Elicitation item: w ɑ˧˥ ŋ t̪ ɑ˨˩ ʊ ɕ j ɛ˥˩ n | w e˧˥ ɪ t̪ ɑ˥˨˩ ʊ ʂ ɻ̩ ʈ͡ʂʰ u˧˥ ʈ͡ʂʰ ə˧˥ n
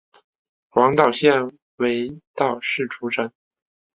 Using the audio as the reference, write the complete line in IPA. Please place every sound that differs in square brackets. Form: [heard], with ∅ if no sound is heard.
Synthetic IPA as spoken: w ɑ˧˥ ŋ t̪ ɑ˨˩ ʊ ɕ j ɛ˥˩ n | w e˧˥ ɪ t̪ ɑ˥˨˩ ʊ ʂ ɻ̩ ʈ͡ʂʰ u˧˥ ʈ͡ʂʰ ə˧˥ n